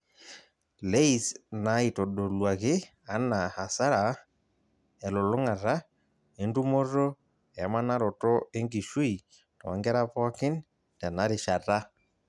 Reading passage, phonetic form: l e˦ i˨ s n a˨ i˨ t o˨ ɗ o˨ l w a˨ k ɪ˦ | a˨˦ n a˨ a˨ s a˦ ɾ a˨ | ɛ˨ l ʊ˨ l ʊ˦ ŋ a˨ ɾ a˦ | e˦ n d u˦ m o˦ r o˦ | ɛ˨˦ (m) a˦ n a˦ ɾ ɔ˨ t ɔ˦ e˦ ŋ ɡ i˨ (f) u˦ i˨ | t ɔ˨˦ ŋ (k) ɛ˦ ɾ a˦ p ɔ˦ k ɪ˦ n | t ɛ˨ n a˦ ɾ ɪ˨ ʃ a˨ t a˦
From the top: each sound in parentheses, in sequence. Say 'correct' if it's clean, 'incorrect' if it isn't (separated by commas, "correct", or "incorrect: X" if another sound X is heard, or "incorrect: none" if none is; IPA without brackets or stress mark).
correct, incorrect: ʃ, incorrect: ɡ